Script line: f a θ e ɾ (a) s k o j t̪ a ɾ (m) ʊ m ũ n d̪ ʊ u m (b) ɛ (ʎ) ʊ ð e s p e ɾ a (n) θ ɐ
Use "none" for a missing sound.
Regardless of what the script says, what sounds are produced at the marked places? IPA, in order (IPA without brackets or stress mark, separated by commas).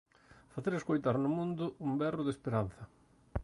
e, n, b, r, n